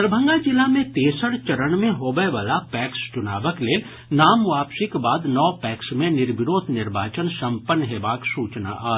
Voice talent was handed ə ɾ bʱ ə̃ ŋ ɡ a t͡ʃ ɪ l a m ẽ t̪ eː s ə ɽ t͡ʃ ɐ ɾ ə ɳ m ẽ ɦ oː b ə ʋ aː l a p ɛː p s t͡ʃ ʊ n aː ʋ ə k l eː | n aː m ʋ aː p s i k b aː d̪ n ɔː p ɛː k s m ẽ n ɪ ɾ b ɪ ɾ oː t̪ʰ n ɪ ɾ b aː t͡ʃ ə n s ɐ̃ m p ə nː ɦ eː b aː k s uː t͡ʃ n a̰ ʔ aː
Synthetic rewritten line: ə ɾ bʱ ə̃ ŋ ɡ a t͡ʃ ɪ l a m ẽ t̪ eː s ə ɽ t͡ʃ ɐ ɾ ə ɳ m ẽ ɦ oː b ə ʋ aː l a p ɛː k s t͡ʃ ʊ n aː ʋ ə k l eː | n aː m ʋ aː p s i k b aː d̪ n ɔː p ɛː k s m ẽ n ɪ ɾ b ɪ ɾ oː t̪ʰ n ɪ ɾ b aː t͡ʃ ə n s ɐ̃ m p ə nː ɦ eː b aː k s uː t͡ʃ n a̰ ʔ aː